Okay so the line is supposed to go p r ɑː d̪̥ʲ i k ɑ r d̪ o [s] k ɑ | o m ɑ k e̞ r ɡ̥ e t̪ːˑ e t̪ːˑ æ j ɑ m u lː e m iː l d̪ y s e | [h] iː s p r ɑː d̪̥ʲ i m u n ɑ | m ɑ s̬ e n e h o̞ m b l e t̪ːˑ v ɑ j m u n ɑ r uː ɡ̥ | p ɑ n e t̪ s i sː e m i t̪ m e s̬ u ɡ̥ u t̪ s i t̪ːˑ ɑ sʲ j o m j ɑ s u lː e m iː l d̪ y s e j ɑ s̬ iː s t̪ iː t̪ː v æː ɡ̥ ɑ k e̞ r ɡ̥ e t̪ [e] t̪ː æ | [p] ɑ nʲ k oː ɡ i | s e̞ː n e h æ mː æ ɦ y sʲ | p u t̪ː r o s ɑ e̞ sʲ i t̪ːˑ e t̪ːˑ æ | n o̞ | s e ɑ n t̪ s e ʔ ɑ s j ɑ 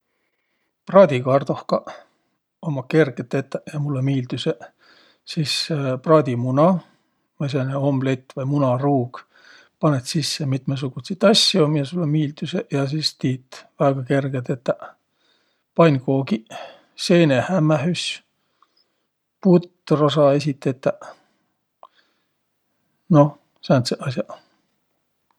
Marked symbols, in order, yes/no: no, no, yes, yes

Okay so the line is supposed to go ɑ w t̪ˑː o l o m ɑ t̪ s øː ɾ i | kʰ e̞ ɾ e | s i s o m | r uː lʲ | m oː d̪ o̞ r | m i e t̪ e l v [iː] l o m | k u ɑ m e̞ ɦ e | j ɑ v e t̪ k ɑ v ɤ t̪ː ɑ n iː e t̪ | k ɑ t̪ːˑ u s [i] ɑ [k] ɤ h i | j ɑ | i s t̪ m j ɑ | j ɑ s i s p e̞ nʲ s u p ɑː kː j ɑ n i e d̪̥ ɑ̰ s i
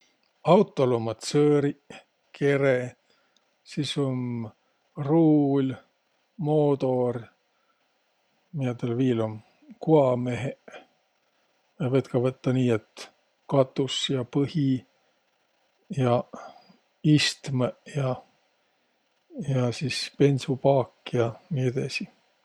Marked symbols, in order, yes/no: yes, no, no

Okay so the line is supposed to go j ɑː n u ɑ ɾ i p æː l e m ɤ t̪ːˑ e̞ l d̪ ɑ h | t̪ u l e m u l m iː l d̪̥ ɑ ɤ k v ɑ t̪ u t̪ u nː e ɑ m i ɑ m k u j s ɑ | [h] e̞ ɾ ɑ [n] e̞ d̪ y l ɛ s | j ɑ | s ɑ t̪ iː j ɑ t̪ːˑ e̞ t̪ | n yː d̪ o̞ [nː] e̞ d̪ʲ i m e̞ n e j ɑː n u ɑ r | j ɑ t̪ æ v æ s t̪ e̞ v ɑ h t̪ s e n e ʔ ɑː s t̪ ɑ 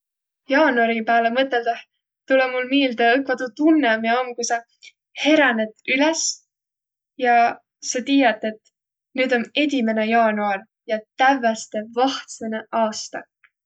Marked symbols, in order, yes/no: yes, yes, no

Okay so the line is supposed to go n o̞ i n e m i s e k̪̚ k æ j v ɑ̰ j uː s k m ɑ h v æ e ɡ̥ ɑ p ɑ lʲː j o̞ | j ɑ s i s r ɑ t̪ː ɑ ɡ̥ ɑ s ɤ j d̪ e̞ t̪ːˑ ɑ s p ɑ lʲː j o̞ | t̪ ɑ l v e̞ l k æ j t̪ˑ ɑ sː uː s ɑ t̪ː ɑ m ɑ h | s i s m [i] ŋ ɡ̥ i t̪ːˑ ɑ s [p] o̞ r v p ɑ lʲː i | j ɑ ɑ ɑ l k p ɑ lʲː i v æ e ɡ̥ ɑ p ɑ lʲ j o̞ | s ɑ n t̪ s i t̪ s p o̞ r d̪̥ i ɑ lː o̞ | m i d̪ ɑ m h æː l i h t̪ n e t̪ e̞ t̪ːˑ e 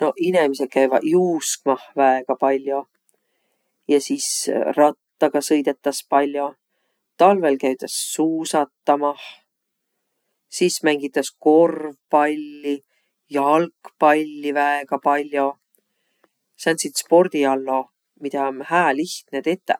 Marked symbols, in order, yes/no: no, no

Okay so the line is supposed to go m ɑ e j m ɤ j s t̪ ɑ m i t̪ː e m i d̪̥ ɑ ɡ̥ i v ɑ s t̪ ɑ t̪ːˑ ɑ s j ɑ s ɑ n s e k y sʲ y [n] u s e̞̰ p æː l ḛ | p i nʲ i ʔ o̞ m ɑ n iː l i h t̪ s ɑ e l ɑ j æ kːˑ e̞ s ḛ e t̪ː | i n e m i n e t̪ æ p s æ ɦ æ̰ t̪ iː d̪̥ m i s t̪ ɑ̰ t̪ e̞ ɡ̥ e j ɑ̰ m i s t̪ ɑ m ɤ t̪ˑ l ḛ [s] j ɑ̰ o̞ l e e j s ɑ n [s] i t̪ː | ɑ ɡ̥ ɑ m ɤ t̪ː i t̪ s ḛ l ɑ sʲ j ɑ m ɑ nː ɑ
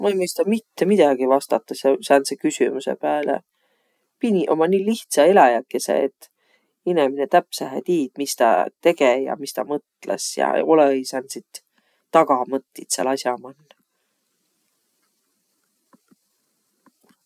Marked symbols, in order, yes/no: no, yes, yes

